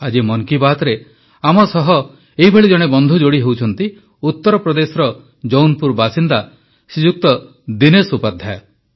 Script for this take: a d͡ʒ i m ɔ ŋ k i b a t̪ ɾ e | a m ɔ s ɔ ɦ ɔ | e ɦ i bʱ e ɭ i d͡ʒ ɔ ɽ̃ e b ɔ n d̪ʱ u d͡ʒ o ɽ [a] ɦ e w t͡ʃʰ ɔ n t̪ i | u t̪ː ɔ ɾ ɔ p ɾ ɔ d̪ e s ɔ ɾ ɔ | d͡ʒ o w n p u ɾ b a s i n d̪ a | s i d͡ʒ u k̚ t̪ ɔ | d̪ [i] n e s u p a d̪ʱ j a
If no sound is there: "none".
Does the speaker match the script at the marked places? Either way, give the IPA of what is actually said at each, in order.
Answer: i, i

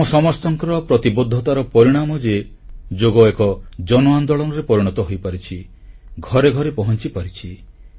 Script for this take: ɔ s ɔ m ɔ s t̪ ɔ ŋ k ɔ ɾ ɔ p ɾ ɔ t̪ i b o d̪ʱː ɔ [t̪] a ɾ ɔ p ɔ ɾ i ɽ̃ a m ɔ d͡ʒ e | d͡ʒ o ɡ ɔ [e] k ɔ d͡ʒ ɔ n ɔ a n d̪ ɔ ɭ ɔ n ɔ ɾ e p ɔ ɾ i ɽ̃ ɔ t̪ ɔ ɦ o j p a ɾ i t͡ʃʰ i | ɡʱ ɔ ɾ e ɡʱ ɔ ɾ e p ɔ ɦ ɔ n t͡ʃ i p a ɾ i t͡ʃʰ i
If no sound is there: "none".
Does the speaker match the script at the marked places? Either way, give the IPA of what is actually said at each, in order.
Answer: t̪, e

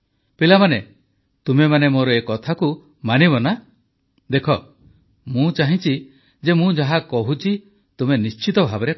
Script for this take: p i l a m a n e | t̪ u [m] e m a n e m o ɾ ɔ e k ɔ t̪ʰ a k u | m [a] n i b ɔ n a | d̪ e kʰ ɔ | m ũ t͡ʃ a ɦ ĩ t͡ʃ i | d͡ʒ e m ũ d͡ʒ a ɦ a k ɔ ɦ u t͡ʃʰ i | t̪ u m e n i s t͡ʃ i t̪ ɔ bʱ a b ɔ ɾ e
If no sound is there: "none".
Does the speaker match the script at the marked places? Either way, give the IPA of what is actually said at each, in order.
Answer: m, a

